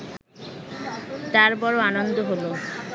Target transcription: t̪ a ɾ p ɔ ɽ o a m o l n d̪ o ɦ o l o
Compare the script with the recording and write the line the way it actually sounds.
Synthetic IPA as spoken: t̪ a ɾ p ɔ ɾ o a n o n d̪ o ɦ o l o